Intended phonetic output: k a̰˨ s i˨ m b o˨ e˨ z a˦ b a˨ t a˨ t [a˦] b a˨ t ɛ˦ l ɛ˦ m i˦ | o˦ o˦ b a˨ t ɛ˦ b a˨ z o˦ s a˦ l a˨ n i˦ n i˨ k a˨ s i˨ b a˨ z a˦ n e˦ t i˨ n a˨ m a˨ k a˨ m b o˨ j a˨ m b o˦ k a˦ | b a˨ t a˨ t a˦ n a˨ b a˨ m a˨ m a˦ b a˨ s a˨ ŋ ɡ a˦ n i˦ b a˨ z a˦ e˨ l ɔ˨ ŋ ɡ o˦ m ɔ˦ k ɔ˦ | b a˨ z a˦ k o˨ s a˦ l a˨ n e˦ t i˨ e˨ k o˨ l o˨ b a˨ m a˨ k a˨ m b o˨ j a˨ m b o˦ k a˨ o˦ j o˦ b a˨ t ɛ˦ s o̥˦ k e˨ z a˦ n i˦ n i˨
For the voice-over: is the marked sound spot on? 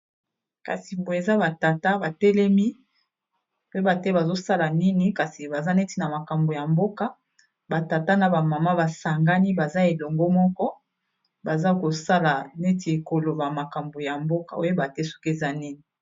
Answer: yes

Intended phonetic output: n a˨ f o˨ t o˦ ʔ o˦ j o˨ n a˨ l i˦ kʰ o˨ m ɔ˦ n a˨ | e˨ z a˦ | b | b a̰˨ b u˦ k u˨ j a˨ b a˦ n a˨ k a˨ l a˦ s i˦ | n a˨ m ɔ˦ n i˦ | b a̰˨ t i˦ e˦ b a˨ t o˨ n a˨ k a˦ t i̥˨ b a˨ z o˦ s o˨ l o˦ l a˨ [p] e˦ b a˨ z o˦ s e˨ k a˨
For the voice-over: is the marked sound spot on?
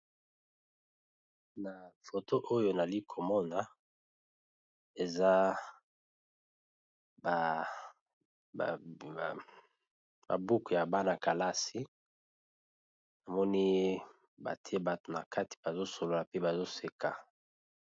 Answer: yes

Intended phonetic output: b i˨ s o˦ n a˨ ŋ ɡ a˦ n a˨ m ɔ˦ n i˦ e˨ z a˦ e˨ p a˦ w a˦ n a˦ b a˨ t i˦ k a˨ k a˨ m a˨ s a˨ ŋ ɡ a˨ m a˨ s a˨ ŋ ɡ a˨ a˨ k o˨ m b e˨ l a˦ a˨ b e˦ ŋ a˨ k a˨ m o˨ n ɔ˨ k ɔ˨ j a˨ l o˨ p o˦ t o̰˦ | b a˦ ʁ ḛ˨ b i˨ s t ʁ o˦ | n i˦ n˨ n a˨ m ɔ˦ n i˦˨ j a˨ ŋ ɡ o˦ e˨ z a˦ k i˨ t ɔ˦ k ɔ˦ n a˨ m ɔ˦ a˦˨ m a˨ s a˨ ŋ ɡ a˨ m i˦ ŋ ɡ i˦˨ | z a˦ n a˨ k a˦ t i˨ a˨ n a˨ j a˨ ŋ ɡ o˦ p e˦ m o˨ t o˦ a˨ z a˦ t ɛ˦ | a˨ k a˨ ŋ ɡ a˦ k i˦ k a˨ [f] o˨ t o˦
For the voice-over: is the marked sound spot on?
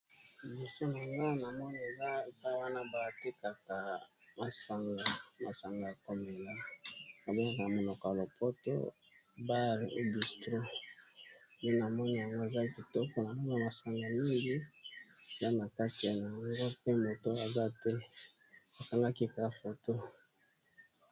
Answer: yes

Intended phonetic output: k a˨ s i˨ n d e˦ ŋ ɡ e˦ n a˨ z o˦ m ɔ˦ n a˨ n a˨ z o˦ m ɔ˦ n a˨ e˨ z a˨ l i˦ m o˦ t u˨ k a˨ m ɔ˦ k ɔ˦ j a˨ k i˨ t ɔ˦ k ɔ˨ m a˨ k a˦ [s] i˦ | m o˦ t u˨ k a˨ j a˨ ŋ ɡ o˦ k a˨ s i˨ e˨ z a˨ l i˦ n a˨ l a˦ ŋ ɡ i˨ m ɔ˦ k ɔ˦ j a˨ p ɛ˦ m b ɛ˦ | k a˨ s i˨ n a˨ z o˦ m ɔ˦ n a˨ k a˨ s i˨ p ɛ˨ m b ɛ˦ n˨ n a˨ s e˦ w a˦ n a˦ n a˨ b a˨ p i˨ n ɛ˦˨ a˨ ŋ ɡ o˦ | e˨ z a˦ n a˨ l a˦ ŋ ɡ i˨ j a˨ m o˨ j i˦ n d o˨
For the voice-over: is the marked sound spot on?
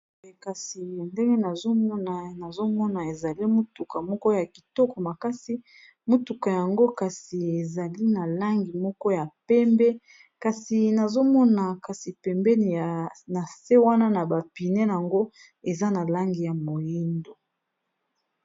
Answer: yes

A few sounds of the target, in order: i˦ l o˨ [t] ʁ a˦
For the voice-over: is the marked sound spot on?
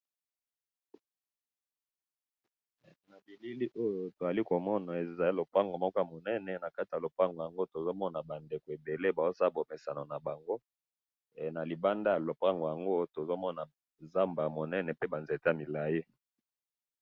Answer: no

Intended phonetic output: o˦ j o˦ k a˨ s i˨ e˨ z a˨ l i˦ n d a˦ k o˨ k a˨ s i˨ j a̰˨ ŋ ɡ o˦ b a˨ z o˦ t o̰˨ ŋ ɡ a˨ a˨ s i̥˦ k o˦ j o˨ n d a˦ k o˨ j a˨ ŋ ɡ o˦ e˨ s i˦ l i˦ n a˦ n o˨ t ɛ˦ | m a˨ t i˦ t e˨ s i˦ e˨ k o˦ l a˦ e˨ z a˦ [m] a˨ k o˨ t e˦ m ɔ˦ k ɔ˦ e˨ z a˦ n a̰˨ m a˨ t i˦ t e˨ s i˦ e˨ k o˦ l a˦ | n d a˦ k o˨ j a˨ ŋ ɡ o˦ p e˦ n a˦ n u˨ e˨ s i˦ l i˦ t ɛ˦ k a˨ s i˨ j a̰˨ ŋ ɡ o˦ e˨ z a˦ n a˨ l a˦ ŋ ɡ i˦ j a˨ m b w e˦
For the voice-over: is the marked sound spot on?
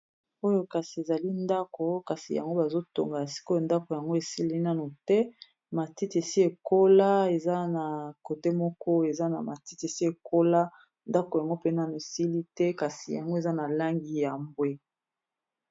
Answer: no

